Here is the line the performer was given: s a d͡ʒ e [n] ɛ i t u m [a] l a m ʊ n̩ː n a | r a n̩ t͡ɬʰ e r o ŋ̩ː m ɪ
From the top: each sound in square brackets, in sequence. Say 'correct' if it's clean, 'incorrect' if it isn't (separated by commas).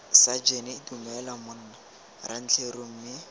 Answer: correct, incorrect